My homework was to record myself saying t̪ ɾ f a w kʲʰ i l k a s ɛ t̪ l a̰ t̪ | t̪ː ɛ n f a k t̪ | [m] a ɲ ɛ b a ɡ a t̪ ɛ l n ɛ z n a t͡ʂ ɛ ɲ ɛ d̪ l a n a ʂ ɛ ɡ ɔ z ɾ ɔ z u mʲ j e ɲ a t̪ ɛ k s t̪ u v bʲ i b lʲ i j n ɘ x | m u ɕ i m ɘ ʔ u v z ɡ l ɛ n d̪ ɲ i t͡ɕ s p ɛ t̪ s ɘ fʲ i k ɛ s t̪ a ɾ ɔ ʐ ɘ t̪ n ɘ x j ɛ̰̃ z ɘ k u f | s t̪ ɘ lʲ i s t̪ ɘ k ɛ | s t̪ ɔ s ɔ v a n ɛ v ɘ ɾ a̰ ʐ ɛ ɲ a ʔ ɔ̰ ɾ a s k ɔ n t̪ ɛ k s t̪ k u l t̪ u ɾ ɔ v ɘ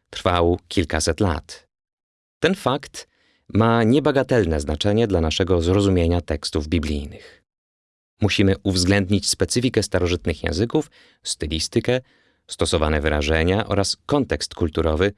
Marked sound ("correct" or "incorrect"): correct